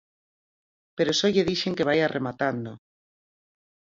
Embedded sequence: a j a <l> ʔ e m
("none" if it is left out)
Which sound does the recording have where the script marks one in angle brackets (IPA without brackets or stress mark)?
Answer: r